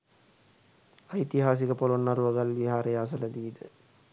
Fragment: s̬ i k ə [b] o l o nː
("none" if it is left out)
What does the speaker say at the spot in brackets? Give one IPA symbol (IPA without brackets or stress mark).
p